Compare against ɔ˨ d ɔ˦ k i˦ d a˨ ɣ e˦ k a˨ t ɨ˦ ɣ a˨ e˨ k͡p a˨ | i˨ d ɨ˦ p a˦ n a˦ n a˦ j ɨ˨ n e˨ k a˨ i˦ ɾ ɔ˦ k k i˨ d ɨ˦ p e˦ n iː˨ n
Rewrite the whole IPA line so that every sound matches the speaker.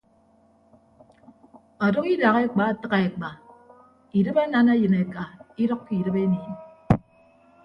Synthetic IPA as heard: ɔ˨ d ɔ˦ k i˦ d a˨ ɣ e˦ k͡p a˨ t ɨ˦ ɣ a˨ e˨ k͡p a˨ | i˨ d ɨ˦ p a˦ n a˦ n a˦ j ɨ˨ n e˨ k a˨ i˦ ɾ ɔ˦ k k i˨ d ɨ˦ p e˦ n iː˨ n